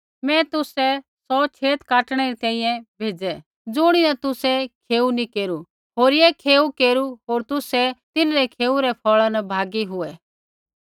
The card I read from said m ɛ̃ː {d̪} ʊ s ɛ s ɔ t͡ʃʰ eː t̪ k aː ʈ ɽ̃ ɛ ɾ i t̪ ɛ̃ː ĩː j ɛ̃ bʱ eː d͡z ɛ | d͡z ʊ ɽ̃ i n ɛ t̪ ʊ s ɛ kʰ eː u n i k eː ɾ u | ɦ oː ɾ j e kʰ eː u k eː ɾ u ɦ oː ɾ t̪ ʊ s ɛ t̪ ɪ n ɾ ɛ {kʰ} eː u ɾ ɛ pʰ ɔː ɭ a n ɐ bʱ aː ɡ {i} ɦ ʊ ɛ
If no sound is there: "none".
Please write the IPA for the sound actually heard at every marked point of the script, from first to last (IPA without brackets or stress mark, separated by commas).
t̪, kʰ, i